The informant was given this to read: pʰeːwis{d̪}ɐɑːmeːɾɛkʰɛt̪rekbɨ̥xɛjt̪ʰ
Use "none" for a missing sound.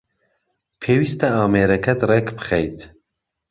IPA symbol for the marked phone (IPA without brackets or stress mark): t̪